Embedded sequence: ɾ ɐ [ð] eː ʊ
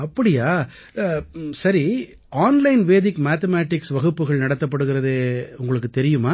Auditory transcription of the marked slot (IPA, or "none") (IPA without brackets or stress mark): ð